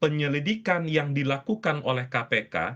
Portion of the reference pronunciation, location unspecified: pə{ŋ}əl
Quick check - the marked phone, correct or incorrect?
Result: incorrect